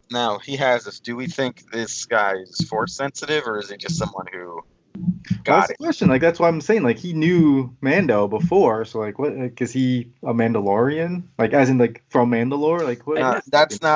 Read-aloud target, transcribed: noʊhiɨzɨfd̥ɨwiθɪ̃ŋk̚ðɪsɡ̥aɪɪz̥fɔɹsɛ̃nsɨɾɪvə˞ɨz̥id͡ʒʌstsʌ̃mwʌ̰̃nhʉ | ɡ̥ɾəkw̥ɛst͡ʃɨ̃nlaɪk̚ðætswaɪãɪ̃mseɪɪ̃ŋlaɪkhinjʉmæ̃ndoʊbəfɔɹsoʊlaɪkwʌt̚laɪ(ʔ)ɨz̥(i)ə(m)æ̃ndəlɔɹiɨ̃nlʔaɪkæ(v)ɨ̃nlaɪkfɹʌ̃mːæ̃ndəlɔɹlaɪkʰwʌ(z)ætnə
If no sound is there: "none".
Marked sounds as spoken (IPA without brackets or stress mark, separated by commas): k, i, m, z, ð